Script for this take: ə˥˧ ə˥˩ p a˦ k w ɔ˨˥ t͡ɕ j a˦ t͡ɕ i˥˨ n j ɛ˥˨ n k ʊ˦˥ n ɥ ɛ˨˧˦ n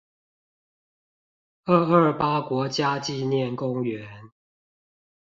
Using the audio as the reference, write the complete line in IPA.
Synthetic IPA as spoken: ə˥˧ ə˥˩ p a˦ k w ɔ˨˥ t͡ɕ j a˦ t͡ɕ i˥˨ n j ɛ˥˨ n k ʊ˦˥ ŋ ɥ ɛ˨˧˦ n

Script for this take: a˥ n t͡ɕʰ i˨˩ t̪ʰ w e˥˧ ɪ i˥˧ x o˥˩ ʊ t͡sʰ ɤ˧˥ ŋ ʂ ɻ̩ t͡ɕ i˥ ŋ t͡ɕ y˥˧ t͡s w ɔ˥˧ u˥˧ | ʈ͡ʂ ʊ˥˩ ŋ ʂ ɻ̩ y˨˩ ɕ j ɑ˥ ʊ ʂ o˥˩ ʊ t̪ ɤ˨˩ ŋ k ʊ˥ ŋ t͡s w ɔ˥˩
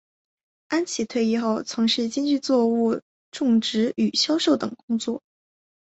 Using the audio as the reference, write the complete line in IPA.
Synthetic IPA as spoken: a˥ n t͡ɕʰ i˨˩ t̪ʰ w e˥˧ ɪ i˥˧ x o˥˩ ʊ t͡sʰ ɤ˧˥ ŋ ʂ ɻ̩ t͡ɕ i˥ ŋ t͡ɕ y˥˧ t͡s w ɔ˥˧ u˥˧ | ʈ͡ʂ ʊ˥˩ ŋ ʈ͡ʂ ɻ̩ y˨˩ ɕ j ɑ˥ ʊ ʂ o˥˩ ʊ t̪ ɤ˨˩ ŋ k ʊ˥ ŋ t͡s w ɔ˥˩

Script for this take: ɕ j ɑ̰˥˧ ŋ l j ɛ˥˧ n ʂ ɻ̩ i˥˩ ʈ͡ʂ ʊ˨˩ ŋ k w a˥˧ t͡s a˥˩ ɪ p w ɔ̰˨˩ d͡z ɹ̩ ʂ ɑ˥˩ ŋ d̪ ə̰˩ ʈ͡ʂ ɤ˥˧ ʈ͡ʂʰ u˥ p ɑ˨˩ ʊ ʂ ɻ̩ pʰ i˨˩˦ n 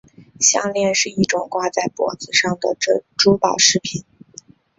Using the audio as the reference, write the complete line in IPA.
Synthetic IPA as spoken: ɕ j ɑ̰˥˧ ŋ l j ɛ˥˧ n ʂ ɻ̩ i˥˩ ʈ͡ʂ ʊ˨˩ ŋ k w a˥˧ t͡s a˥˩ ɪ p w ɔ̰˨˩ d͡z ɹ̩ ʂ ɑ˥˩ ŋ d̪ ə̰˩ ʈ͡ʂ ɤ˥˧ ʈ͡ʂ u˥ p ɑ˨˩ ʊ ʂ ɻ̩ pʰ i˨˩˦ n

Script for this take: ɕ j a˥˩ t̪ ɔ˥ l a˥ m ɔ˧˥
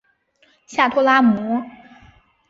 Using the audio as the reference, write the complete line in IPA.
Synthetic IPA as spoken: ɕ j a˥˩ t̪ʰ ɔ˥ l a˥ m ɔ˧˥

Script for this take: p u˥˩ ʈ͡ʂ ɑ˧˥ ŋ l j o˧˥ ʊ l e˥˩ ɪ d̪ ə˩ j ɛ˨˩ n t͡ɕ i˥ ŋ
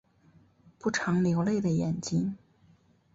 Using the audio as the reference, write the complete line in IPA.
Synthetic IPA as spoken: p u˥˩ ʈ͡ʂʰ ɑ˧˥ ŋ l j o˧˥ ʊ l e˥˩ ɪ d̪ ə˩ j ɛ˨˩ n t͡ɕ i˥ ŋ

